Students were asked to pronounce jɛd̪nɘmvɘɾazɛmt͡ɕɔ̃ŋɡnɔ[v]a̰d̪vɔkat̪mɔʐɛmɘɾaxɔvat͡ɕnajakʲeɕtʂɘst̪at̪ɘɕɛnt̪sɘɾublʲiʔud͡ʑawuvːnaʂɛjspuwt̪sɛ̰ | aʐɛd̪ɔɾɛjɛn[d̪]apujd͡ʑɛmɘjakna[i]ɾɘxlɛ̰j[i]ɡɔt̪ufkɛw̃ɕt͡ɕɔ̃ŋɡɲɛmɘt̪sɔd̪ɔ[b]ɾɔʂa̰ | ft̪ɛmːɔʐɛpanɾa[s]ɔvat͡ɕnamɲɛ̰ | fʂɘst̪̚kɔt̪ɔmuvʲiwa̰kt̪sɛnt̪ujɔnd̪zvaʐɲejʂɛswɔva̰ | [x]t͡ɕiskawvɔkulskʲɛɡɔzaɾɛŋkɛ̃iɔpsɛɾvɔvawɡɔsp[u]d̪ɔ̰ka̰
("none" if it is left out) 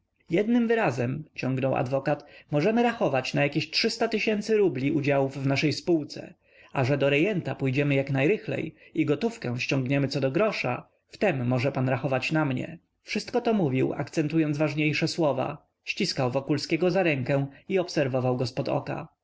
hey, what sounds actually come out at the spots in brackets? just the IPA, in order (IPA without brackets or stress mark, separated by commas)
w, t̪, j, i, ɡ, x, ɕ, ɔ